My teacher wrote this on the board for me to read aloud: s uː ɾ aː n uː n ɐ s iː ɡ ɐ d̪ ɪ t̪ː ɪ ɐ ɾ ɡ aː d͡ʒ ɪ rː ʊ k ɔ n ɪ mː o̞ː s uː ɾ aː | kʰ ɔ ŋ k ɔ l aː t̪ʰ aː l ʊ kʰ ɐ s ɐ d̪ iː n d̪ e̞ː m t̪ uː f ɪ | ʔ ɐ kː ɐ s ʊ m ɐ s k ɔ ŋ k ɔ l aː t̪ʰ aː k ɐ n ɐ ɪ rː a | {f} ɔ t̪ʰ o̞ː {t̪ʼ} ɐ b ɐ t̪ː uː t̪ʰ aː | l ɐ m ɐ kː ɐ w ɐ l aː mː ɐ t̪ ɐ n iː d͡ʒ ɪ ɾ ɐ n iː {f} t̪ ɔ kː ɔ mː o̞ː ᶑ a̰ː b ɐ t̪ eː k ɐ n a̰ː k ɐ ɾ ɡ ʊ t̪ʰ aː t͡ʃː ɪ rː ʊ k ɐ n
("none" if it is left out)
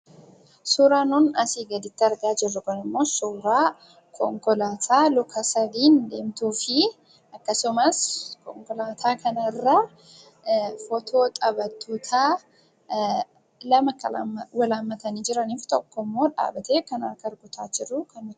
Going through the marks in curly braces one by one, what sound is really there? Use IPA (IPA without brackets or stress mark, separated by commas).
f, t̪ʼ, f